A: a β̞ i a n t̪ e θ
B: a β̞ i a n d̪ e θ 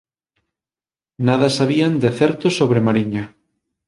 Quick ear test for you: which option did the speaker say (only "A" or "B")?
B